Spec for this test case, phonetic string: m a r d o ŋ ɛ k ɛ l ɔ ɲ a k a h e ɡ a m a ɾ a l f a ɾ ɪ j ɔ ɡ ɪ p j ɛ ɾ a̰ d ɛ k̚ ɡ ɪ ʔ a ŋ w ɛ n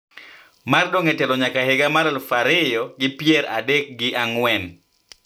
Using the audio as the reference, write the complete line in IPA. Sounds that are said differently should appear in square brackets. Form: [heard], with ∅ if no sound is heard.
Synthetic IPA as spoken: m a r d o ŋ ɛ [t] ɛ l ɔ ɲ a k a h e ɡ a m a ɾ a l f a ɾ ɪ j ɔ ɡ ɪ p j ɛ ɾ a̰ d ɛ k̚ ɡ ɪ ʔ a ŋ w ɛ n

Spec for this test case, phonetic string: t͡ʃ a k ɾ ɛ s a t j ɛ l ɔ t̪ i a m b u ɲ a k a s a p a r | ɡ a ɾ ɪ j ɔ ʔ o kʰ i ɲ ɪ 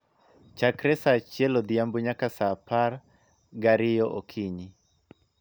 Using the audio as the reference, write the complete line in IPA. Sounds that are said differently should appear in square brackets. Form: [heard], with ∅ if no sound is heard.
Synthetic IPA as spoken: t͡ʃ a k ɾ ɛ s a [t͡ʃ] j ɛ l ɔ [d̪] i a m b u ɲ a k a s a p a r | ɡ a ɾ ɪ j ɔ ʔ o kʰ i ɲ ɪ

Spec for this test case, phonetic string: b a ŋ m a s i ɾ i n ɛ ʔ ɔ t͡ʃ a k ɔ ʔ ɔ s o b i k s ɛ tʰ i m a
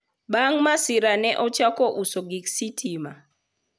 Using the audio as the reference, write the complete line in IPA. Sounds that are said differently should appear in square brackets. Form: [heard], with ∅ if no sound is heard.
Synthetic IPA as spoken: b a ŋ m a s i ɾ [a] n ɛ ʔ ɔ t͡ʃ a k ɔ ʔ [u] s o [ɡ] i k s [i] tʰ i m a

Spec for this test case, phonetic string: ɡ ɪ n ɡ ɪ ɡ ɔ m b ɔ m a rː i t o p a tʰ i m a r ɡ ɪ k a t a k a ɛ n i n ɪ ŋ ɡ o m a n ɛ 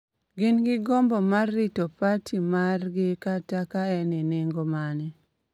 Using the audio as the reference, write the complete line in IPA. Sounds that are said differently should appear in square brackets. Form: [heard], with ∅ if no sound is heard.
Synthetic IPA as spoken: ɡ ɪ n ɡ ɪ ɡ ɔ m b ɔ m a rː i t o p a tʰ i m a r ɡ ɪ k a t a k a ɛ n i n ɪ ŋ ɡ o m a n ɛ

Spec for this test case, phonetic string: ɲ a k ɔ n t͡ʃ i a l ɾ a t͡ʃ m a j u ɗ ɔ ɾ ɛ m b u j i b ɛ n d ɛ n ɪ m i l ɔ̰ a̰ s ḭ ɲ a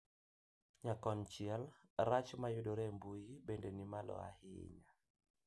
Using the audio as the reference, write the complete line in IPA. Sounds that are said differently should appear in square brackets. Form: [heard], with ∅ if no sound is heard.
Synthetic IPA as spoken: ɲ a k ɔ n t͡ʃ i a l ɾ a t͡ʃ m a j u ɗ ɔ ɾ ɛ m b u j i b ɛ n d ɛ n [i] m [a] l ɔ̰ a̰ [h] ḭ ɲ a

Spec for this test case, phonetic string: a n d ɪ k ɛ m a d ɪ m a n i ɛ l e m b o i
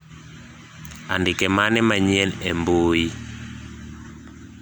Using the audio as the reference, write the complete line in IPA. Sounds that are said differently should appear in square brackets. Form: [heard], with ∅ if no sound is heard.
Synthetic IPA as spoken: a n d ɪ k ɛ m a [n] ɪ m a [ɲ] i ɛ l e m b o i

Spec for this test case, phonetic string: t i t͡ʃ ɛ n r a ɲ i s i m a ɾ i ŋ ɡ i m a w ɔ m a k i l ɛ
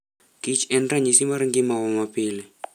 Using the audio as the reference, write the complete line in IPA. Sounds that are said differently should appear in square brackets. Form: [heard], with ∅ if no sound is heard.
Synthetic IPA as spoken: [k] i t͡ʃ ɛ n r a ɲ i s i m a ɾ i ŋ ɡ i m a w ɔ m a [p] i l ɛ

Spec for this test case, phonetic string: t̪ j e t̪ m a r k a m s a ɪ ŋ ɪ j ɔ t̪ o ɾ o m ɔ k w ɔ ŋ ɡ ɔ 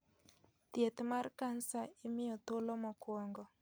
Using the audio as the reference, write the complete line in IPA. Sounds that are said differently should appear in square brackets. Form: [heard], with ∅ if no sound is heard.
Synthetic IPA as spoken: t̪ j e t̪ m a r k a [n] s a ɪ [m] ɪ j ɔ t̪ o [l] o m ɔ k w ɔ ŋ ɡ ɔ

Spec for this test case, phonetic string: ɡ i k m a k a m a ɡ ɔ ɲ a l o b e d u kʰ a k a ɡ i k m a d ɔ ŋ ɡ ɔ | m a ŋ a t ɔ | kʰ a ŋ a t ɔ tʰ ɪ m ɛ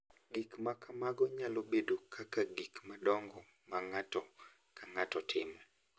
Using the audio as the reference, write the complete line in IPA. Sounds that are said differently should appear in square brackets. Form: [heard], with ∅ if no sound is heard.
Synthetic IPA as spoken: ɡ i k m a k a m a ɡ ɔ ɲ a l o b e d [o] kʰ a k a ɡ i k m a d ɔ ŋ ɡ ɔ | m a ŋ a t ɔ | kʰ a ŋ a t ɔ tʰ ɪ m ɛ

